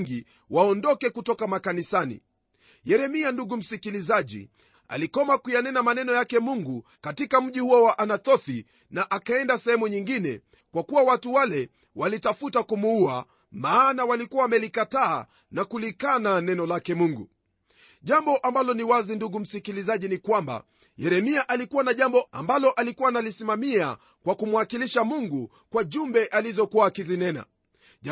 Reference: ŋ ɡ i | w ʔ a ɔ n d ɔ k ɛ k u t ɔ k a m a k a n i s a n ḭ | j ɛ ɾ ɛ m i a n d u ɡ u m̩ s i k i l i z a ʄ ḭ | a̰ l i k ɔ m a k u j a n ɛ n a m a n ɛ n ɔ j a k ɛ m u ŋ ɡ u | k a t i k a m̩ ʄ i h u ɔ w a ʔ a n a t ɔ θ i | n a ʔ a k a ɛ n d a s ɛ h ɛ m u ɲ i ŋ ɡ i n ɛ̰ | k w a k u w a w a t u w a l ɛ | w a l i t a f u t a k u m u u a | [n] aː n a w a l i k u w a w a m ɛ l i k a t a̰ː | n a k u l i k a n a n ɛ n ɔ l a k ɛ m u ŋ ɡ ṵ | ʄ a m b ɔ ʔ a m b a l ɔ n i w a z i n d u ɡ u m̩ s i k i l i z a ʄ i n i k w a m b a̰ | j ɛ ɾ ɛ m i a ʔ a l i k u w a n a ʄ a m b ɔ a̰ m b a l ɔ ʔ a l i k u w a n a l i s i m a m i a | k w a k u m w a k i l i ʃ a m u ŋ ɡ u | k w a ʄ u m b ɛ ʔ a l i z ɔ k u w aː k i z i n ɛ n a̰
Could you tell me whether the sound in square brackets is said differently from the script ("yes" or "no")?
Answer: yes